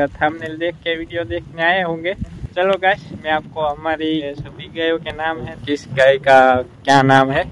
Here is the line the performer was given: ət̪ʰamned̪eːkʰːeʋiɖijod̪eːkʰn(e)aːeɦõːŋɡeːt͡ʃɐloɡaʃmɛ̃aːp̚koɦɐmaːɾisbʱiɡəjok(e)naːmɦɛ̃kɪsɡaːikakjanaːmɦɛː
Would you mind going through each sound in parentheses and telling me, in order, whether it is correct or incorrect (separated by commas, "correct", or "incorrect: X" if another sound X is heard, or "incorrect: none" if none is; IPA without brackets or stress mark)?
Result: correct, correct